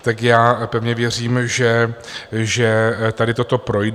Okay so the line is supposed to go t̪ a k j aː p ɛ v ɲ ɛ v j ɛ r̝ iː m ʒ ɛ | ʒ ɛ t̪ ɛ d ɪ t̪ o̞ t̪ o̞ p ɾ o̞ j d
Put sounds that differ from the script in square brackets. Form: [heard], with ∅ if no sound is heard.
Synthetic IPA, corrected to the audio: t̪ a k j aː p ɛ v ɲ ɛ v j ɛ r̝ iː m ʒ ɛ | ʒ ɛ t̪ [a] d ɪ t̪ o̞ t̪ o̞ p ɾ o̞ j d